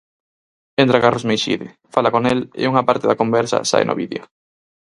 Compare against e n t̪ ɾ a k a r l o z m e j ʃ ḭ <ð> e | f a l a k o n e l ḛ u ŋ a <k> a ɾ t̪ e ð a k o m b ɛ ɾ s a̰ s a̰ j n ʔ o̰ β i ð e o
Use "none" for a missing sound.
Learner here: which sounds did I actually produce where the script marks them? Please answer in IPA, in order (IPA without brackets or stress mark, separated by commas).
ð, p